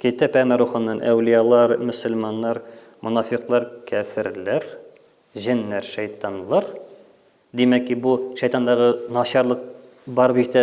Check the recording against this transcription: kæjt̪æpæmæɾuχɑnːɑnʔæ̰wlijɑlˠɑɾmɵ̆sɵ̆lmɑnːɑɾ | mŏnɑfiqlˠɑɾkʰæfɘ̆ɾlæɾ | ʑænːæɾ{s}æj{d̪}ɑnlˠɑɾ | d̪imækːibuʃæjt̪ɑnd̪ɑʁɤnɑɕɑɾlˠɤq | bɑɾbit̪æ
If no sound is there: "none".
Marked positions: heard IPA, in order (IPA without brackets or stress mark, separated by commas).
ʃ, t̪